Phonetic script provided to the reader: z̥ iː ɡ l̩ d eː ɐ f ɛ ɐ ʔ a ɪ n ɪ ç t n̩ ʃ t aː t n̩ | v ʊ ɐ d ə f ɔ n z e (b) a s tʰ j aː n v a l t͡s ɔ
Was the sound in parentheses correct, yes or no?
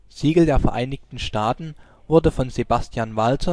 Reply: yes